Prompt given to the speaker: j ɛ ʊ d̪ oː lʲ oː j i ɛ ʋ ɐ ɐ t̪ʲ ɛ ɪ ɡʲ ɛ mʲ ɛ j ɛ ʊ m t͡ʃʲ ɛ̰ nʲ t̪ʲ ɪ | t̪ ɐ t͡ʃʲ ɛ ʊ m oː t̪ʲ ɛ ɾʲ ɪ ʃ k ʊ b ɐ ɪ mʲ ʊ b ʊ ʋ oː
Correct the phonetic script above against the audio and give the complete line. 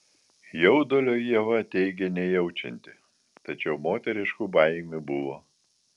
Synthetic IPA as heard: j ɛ ʊ d̪ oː lʲ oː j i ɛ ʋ ɐ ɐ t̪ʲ ɛ ɪ ɡʲ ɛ nʲ ɛ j ɛ ʊ t͡ʃʲ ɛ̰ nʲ t̪ʲ ɪ | t̪ ɐ t͡ʃʲ ɛ ʊ m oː t̪ʲ ɛ ɾʲ ɪ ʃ k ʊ b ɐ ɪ mʲ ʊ b ʊ ʋ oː